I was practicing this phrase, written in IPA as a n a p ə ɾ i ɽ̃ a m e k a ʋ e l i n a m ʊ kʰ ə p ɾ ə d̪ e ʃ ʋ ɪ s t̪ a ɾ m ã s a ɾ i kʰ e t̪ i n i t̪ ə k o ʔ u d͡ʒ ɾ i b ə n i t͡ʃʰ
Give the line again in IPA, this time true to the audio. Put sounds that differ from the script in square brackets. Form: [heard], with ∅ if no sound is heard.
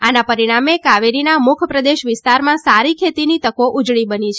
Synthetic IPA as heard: a n a p ə ɾ i ɽ̃ a m e k a ʋ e [ɾ] i n a m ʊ kʰ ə p ɾ ə d̪ e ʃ ʋ ɪ s t̪ a ɾ m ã s a ɾ i kʰ e t̪ i n i t̪ ə k o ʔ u d͡ʒ [ɭ] i b ə n i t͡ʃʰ